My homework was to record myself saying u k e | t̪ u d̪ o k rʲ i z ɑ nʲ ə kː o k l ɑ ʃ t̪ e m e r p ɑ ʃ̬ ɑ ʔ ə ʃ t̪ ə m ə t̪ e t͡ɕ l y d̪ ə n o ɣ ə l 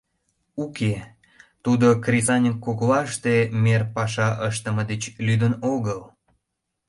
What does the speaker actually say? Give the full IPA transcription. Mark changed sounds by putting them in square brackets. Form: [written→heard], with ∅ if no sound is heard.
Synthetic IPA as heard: u k e | t̪ u d̪ o k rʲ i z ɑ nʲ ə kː o k l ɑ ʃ t̪ e m e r p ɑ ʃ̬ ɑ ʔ ə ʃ t̪ ə m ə [t̪→d̪] e t͡ɕ l y d̪ ə n o ɣ ə l